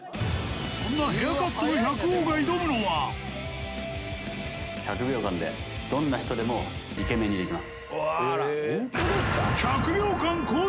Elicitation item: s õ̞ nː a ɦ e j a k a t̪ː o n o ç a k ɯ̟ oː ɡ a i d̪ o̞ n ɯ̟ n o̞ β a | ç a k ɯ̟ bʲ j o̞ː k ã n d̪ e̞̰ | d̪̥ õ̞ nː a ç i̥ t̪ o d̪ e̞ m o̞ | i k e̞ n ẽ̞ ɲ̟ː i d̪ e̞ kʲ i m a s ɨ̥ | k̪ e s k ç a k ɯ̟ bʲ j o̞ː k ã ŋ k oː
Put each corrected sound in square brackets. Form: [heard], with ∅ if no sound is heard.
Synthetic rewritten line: s õ̞ nː a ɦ e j a k a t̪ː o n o ç a k ɯ̟ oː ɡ a i d̪ o̞ [m] ɯ̟ n o̞ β a | ç a k ɯ̟ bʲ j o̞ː k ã n d̪ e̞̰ | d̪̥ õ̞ nː a ç i̥ t̪ o d̪ e̞ m o̞ | i k e̞ [m] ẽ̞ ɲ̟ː i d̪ e̞ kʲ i m a s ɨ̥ | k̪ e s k ç a k ɯ̟ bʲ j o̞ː k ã ŋ k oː